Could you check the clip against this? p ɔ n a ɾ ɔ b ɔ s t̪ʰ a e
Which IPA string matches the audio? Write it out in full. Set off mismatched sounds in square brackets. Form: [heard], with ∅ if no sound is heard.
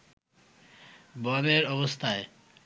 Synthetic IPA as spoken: [b] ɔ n [e] ɾ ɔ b [o] s t̪ʰ a e